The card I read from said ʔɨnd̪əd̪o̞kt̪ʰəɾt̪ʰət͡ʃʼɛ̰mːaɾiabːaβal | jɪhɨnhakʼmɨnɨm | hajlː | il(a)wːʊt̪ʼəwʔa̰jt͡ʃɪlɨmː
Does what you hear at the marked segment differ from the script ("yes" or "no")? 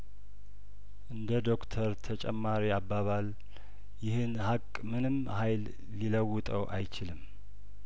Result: yes